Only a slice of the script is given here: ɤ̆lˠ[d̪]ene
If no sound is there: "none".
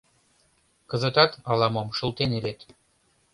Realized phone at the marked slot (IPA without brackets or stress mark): t̪